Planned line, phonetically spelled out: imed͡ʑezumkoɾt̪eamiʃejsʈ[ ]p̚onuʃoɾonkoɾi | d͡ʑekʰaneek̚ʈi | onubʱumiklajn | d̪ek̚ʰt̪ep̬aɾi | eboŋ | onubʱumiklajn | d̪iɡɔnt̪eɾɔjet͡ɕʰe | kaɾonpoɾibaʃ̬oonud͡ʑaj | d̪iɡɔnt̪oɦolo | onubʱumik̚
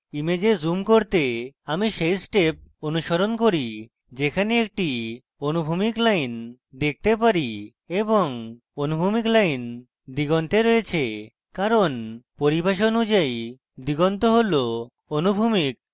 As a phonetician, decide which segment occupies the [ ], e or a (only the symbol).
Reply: e